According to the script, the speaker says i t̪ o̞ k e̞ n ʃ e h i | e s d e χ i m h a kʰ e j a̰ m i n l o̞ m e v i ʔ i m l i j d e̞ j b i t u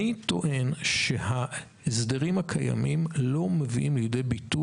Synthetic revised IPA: i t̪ o̞ ʔ e̞ n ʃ e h a | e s d e ʁ i m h a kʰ a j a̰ m i m l o̞ m e v i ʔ i m l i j d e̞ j b i t u